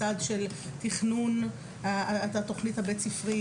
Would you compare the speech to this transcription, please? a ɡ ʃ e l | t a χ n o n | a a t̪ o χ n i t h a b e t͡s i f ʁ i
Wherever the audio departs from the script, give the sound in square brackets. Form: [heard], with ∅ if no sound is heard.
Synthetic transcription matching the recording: a [d] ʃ e l | t [i] χ n [u] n | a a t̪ o χ n i t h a b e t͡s i f ʁ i